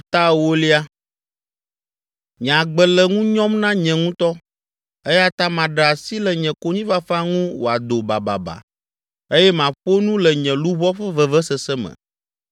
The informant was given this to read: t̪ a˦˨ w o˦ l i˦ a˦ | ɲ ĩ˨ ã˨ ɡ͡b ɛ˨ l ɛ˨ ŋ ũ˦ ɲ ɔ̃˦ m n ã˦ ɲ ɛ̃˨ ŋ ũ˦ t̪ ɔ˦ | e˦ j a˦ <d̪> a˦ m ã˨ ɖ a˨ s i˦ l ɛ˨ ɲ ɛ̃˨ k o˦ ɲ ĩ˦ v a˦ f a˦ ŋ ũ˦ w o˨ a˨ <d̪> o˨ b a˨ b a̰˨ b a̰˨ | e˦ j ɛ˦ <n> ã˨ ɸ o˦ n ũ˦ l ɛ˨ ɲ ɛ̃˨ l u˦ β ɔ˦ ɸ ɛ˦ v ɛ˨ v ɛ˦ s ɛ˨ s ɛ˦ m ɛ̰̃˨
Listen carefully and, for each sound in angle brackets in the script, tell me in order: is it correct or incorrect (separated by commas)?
incorrect, correct, incorrect